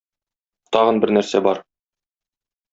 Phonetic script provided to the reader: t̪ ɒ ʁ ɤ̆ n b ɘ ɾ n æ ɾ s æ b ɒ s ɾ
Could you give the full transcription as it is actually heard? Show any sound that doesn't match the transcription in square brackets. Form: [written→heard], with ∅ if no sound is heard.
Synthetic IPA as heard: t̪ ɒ ʁ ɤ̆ n b ɘ ɾ n æ ɾ s æ b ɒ [s→∅] ɾ